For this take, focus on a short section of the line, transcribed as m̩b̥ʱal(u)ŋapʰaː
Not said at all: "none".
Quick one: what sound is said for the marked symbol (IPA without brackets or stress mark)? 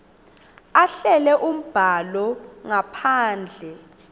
ɔ